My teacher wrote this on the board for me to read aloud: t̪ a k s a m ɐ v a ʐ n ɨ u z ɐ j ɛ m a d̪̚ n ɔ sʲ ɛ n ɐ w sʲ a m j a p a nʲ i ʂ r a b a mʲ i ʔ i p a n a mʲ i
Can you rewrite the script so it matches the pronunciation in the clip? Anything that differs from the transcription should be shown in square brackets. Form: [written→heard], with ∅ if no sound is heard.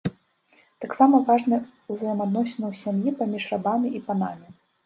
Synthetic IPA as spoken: t̪ a k s a m ɐ v a ʐ n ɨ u z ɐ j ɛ m a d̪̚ n ɔ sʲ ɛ n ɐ w sʲ a m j [a→i] p a [nʲ→mʲ] i ʂ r a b a mʲ i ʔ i p a n a mʲ i

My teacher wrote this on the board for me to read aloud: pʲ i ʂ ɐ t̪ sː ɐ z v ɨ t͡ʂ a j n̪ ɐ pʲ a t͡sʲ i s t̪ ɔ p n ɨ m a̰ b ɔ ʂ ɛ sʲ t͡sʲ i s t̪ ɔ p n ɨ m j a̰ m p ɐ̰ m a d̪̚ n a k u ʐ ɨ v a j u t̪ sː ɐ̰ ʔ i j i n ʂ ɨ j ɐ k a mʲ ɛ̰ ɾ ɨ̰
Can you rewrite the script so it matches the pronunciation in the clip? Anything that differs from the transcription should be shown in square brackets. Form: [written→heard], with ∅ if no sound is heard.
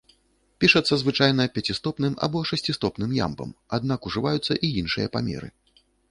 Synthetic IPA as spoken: pʲ i ʂ ɐ t̪ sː ɐ z v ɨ t͡ʂ a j n̪ ɐ pʲ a t͡sʲ i s t̪ ɔ p n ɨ m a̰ b ɔ ʂ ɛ sʲ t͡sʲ i s t̪ ɔ p n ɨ m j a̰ m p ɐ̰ m a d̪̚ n a k u ʐ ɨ v a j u t̪ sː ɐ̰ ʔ i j i n ʂ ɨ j ɐ [k→p] a mʲ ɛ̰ ɾ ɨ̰

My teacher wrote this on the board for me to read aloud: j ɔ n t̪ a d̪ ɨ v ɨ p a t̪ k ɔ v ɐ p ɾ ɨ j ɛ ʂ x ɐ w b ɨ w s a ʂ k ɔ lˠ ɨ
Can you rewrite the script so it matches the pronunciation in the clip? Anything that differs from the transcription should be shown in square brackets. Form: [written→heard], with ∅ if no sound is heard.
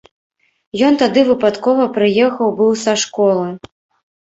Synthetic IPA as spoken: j ɔ n t̪ a d̪ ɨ v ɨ p a t̪ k ɔ v ɐ p ɾ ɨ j ɛ [ʂ→∅] x ɐ w b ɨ w s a ʂ k ɔ lˠ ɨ

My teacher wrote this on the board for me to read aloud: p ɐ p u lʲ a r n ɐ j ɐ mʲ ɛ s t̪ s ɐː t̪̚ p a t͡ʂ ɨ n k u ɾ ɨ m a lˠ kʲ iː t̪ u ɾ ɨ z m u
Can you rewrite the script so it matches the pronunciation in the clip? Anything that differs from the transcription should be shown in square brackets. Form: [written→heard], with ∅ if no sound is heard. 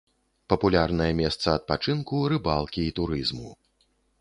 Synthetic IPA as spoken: p ɐ p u lʲ a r n ɐ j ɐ mʲ ɛ s t̪ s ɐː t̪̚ p a t͡ʂ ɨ n k u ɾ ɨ [m→b] a lˠ kʲ iː t̪ u ɾ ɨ z m u

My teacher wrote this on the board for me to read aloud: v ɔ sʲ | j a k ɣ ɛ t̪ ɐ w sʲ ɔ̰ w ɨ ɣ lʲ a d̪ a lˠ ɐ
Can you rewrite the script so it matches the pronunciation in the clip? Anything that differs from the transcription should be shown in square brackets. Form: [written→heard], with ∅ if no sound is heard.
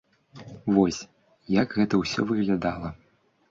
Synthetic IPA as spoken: v ɔ sʲ | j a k ɣ ɛ t̪ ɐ w sʲ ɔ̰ [w→v] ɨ ɣ lʲ a d̪ a lˠ ɐ

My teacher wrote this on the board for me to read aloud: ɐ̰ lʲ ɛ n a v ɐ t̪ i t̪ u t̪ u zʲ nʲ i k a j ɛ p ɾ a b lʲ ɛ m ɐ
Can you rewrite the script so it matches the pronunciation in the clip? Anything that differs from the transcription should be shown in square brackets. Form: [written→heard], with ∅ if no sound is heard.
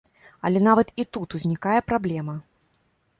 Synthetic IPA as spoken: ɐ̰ lʲ ɛ n a v ɐ t̪ i t̪ u t̪ u zʲ nʲ i k a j ɛ p ɾ a b lʲ ɛ m ɐ

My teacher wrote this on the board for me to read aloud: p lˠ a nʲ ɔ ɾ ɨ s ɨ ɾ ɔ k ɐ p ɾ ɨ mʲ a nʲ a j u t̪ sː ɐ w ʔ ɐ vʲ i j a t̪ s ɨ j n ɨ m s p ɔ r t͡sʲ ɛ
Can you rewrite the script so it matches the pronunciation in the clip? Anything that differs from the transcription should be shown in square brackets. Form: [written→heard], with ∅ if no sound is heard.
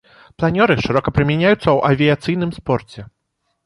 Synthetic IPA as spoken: p lˠ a nʲ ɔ ɾ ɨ [s→ʂ] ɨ ɾ ɔ k ɐ p ɾ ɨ mʲ a nʲ a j u t̪ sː ɐ w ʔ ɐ vʲ i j a t̪ s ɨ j n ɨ m s p ɔ r t͡sʲ ɛ

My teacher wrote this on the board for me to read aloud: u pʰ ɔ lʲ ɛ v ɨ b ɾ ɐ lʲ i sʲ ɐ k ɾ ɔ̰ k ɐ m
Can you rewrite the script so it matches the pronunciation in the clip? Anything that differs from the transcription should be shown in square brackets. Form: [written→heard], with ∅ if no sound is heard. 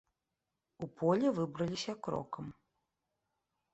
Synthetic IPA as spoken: u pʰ ɔ lʲ ɛ v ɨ b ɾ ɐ lʲ i sʲ ɐ k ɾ ɔ̰ k ɐ m

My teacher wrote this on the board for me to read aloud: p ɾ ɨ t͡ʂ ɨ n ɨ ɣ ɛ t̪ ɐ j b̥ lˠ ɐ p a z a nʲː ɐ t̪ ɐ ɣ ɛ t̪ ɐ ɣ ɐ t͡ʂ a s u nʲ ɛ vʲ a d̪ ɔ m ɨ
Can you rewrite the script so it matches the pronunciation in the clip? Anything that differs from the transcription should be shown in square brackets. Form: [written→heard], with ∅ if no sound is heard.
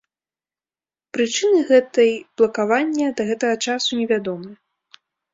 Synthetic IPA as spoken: p ɾ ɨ t͡ʂ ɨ n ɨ ɣ ɛ t̪ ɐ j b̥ lˠ ɐ [p→k] a [z→v] a nʲː ɐ [t̪→d̪] ɐ ɣ ɛ t̪ ɐ ɣ ɐ t͡ʂ a s u nʲ ɛ vʲ a d̪ ɔ m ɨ

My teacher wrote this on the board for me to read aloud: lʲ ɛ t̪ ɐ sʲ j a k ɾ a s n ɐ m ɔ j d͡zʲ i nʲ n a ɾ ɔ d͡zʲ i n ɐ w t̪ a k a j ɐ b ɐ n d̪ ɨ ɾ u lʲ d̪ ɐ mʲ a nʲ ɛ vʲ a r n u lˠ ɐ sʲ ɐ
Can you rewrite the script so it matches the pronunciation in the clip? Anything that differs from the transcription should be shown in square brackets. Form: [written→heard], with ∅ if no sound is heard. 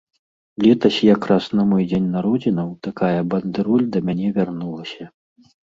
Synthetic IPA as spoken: lʲ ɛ t̪ ɐ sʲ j a k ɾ a s n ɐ m ɔ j d͡zʲ [i→e] nʲ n a ɾ ɔ d͡zʲ i n ɐ w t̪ a k a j ɐ b ɐ n d̪ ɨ ɾ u lʲ d̪ ɐ mʲ a nʲ ɛ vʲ a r n u lˠ ɐ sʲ ɐ

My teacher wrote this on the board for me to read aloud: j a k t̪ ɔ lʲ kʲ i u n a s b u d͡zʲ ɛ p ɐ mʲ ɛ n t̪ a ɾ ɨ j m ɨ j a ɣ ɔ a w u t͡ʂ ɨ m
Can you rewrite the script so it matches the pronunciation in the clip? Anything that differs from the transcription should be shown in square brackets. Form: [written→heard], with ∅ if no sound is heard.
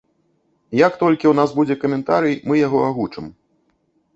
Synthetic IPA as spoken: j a k t̪ ɔ lʲ kʲ i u n a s b u d͡zʲ ɛ [p→k] ɐ mʲ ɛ n t̪ a ɾ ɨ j m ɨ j a ɣ ɔ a [w→ɣ] u t͡ʂ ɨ m

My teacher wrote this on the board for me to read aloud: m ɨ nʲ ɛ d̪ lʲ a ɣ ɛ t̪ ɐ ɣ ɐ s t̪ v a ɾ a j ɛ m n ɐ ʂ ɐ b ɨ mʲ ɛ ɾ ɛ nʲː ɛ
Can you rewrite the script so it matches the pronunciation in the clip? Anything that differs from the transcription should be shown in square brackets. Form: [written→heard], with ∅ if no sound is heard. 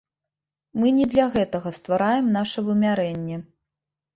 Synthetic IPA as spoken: m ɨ nʲ ɛ d̪ lʲ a ɣ ɛ t̪ ɐ ɣ ɐ s t̪ v a ɾ a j ɛ m n [ɐ→a] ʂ ɐ [b→v] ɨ mʲ [ɛ→a] ɾ ɛ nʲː ɛ

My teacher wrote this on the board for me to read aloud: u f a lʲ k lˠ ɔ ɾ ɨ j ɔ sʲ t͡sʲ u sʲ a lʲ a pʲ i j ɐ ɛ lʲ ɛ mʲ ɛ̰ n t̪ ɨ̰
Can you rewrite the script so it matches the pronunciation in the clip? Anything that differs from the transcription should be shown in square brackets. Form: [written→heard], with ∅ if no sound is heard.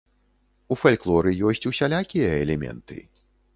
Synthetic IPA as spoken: u f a lʲ k lˠ ɔ ɾ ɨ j ɔ sʲ t͡sʲ u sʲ a lʲ a [pʲ→kʲ] i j ɐ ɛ lʲ ɛ mʲ ɛ̰ n t̪ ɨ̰

